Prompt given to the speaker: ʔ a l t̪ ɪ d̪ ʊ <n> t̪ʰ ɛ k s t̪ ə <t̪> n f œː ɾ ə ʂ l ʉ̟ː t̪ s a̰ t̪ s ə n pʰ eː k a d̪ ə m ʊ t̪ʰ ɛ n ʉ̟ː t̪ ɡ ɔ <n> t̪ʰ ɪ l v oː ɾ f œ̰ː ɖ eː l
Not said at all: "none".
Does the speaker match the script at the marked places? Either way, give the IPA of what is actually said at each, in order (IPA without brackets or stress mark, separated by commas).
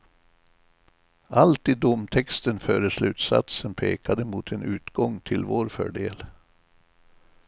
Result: m, none, ŋ